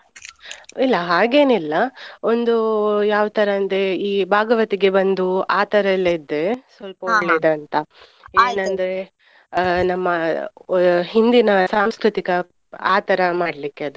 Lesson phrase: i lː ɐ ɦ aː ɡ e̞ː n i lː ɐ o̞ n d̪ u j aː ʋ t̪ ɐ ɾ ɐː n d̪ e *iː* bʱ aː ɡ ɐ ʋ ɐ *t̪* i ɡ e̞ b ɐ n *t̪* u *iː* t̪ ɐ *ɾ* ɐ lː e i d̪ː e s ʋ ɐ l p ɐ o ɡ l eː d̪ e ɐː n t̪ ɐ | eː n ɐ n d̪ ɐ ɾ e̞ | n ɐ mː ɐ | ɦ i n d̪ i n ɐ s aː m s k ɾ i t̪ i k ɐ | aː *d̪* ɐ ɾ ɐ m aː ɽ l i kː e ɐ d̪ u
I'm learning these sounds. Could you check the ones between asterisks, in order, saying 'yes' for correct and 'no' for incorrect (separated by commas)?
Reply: yes, yes, no, no, yes, no